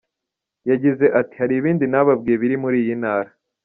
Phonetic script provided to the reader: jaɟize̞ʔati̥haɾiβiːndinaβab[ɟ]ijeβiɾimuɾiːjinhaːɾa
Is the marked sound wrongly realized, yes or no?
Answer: yes